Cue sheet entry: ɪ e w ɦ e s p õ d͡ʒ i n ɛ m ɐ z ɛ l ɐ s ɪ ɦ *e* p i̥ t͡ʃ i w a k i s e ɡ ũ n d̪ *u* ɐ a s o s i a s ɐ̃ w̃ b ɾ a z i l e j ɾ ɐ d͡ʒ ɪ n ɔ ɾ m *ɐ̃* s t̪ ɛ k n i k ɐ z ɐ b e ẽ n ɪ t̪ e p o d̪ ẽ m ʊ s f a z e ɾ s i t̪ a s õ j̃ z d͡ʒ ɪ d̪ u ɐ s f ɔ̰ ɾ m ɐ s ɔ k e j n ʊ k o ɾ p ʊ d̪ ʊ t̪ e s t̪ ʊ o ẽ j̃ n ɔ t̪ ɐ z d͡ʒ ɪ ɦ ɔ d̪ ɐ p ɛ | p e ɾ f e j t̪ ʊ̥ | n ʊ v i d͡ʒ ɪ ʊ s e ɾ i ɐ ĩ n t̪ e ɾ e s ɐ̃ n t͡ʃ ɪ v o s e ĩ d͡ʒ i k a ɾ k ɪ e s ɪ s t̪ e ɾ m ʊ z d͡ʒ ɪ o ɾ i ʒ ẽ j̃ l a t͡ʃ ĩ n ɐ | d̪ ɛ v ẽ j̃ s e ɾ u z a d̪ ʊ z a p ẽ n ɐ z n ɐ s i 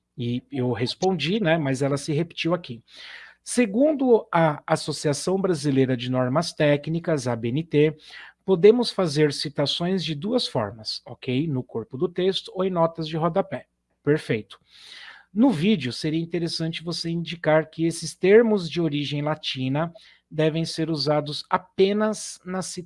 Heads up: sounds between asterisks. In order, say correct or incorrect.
correct, incorrect, incorrect

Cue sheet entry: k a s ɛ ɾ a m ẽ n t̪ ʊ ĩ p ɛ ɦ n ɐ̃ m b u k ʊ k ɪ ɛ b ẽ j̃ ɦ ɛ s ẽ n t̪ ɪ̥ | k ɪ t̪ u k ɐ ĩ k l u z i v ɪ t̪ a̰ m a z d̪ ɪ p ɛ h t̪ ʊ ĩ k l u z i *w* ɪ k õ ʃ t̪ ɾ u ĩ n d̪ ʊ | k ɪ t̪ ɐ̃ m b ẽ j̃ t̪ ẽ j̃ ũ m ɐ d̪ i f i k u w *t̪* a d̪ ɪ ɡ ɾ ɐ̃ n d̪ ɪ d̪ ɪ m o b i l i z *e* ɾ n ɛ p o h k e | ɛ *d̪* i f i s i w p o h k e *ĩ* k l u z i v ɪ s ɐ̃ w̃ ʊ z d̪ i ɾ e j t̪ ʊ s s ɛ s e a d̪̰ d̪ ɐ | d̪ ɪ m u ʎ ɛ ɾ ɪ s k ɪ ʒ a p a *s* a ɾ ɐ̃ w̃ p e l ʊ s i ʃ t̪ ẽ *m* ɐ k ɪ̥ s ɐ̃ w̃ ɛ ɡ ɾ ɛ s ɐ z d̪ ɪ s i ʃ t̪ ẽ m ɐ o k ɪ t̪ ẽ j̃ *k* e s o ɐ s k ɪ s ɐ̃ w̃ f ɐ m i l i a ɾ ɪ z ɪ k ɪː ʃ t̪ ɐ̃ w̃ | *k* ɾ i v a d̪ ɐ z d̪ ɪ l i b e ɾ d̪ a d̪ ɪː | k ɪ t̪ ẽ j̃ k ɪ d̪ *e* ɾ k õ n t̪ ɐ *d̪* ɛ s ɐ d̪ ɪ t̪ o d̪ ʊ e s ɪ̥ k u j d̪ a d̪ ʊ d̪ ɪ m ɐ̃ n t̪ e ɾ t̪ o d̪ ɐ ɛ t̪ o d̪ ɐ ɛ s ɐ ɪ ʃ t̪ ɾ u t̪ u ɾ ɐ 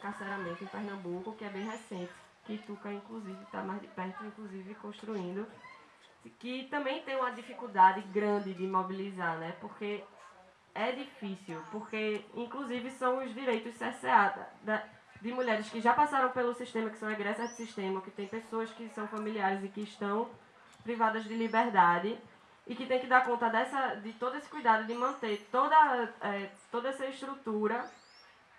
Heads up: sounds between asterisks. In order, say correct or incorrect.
incorrect, incorrect, incorrect, correct, correct, correct, correct, incorrect, incorrect, incorrect, correct

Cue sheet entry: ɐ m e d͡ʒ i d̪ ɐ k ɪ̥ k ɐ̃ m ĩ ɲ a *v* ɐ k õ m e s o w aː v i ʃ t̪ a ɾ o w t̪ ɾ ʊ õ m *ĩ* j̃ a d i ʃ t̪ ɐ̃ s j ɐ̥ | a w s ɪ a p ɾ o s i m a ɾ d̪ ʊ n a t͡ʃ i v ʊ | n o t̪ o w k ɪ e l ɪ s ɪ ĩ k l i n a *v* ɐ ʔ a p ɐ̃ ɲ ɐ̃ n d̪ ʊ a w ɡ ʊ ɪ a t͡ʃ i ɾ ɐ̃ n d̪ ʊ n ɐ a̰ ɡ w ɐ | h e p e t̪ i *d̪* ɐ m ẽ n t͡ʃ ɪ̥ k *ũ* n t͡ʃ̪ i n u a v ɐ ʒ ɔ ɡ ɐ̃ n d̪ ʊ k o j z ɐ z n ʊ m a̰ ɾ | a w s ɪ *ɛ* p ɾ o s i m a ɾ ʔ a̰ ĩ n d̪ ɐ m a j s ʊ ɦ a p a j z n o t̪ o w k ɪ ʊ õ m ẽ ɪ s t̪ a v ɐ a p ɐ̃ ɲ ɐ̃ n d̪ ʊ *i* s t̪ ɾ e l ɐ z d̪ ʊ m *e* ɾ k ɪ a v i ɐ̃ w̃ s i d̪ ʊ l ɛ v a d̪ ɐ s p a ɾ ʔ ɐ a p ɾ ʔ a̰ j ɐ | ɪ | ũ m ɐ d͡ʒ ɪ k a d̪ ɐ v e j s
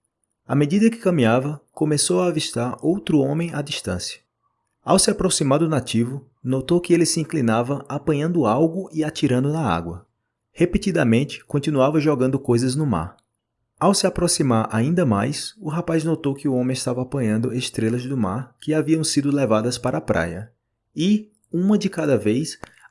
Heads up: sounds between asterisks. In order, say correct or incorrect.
correct, incorrect, correct, correct, incorrect, incorrect, incorrect, incorrect

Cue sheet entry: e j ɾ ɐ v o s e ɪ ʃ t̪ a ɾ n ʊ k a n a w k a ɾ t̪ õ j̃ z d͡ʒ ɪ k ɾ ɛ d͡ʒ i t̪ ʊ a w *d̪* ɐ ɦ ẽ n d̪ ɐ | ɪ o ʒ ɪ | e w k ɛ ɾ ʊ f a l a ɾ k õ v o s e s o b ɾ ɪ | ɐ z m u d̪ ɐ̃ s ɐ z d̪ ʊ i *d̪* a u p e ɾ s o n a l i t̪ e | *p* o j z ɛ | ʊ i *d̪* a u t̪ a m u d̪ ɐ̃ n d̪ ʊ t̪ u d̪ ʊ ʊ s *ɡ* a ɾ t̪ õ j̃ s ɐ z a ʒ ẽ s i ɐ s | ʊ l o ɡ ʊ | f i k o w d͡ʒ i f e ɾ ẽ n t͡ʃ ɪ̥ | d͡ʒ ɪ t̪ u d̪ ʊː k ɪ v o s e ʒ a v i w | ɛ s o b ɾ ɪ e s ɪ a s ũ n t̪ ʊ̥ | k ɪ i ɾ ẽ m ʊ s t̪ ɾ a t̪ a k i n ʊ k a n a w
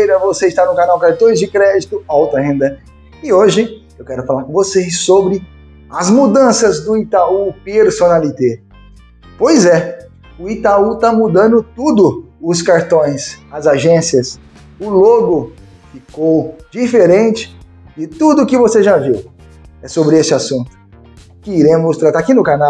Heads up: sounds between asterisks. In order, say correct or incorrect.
incorrect, incorrect, correct, incorrect, incorrect

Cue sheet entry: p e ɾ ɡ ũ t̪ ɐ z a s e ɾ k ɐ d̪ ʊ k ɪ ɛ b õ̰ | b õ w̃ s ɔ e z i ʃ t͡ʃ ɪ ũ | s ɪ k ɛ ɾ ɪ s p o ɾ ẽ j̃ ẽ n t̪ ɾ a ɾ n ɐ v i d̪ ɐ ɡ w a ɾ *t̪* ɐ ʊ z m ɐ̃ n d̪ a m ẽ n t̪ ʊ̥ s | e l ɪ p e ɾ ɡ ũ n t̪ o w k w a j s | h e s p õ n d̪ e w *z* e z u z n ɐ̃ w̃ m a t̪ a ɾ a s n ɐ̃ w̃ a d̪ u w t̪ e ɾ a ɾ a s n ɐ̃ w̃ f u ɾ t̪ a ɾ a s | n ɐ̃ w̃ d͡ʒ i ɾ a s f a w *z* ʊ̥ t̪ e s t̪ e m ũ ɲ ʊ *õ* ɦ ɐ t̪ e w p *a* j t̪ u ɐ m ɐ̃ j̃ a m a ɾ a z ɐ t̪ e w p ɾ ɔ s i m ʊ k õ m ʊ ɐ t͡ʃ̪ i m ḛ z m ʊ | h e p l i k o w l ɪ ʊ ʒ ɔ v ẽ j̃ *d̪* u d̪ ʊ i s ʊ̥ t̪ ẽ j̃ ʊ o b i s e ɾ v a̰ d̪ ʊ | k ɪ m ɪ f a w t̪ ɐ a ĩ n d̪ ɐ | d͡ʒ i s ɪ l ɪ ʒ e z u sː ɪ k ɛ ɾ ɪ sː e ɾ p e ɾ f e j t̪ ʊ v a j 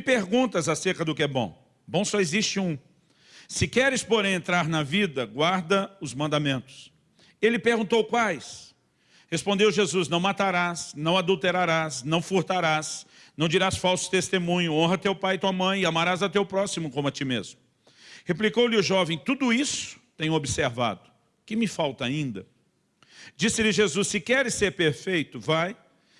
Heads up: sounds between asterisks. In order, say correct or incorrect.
incorrect, incorrect, incorrect, correct, correct, incorrect

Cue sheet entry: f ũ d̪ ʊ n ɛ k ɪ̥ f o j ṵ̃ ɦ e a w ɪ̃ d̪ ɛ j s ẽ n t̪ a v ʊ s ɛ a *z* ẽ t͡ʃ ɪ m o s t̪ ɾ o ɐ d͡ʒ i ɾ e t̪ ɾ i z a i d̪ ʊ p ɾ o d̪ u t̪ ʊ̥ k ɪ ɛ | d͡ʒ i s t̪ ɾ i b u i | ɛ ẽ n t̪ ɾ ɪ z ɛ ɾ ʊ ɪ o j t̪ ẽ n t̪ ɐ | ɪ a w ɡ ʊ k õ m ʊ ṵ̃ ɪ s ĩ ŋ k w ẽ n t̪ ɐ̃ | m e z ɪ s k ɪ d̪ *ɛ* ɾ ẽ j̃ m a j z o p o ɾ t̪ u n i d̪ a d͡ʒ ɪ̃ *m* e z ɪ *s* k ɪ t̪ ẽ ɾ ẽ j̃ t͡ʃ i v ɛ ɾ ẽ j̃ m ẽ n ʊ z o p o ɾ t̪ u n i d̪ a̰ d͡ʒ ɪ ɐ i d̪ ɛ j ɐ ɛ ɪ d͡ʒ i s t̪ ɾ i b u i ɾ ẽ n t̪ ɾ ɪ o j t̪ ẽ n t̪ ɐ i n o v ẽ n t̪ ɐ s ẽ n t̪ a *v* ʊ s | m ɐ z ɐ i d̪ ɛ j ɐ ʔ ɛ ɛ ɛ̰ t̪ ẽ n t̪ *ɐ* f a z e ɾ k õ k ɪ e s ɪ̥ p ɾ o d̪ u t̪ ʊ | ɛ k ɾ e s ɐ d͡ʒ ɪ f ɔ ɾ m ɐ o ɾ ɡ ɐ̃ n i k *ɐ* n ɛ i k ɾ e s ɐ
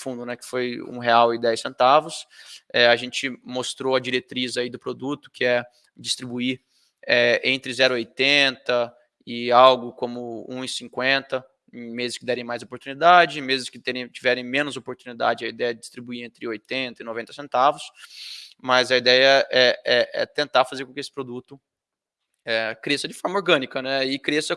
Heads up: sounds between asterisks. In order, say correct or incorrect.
incorrect, correct, correct, correct, correct, incorrect, correct

